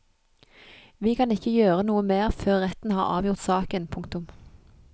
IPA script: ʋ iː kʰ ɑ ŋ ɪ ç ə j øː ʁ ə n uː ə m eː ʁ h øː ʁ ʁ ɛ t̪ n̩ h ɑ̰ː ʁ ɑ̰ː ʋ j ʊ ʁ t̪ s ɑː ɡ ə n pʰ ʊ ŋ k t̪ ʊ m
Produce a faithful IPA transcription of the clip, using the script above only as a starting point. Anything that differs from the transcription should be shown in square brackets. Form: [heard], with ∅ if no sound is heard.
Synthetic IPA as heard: ʋ iː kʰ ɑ [n] ɪ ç ə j øː ʁ ə n uː ə m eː ʁ [f] øː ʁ ʁ ɛ t̪ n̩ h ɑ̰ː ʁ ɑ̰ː ʋ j ʊ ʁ t̪ s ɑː [k] ə n pʰ ʊ ŋ k t̪ ʊ m